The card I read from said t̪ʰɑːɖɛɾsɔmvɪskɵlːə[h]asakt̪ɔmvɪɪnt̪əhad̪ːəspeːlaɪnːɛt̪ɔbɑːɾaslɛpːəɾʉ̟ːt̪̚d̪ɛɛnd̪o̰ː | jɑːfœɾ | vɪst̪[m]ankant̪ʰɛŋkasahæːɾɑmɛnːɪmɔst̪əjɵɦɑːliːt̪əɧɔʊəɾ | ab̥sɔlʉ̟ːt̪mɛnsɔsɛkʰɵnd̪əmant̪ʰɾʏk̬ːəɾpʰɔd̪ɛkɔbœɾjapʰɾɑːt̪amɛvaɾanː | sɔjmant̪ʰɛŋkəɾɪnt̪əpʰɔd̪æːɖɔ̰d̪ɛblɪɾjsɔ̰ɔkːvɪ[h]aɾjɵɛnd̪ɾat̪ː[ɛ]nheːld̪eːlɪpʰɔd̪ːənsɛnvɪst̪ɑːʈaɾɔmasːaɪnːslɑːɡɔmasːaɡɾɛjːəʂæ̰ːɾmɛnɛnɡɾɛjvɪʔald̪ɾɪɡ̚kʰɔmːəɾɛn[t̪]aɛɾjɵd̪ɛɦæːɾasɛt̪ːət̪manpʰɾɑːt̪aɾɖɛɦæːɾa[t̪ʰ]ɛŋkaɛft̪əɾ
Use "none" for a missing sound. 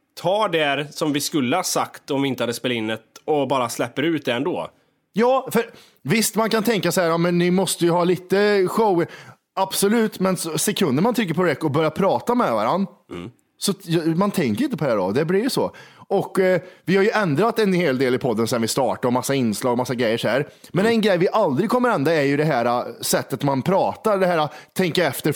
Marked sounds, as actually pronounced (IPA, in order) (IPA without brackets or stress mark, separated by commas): h, m, h, ɛ, d̪, t̪ʰ